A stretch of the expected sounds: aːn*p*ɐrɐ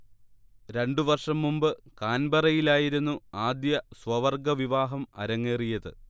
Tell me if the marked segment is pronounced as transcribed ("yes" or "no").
no